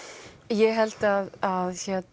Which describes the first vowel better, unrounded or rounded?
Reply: unrounded